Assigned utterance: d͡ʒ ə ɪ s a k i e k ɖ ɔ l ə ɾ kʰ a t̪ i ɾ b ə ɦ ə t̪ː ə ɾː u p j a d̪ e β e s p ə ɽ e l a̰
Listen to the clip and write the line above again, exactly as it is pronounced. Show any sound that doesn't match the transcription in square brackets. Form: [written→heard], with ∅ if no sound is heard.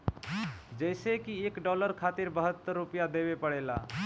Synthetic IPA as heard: d͡ʒ ə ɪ s [a→e] k i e k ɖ ɔ l ə ɾ kʰ a t̪ i ɾ b ə ɦ ə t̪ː ə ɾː u p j a d̪ e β e [s→∅] p ə ɽ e l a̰